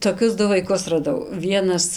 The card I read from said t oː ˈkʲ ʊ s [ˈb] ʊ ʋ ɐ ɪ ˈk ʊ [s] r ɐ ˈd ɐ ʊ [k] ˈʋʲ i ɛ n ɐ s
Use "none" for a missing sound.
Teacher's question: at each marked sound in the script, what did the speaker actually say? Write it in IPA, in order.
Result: d, s, none

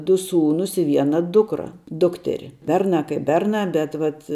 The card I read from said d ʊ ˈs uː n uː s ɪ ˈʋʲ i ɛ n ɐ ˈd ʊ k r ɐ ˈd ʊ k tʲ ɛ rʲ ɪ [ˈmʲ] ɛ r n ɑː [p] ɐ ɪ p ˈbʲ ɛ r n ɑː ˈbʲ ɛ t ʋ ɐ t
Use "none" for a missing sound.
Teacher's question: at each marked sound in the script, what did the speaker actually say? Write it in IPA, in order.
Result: bʲ, k

